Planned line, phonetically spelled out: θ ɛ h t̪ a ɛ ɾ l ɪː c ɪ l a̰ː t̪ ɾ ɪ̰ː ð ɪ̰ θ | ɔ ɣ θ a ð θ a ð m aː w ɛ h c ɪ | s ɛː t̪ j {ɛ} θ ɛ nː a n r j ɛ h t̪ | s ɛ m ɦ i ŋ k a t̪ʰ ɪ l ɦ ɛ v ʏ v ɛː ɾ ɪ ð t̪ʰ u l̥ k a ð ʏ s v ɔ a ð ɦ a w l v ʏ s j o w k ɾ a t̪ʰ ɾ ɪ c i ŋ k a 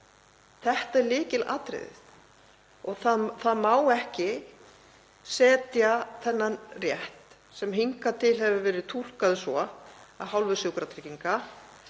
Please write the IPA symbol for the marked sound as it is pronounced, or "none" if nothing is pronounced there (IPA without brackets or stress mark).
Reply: a